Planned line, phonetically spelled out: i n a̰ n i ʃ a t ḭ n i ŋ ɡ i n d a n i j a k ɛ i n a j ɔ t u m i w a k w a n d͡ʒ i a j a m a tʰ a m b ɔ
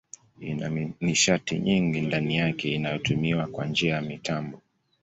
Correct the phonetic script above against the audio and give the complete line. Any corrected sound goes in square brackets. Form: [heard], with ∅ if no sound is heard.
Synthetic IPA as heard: i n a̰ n i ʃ a t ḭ [ɲ] i ŋ ɡ i n d a n i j a k ɛ i n a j ɔ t u m i w a k w a n d͡ʒ i a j a m [i] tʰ a m b ɔ